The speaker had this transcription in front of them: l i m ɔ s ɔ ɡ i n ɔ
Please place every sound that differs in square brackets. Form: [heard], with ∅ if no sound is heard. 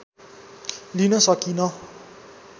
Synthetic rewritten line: l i [n] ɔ s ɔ [k] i n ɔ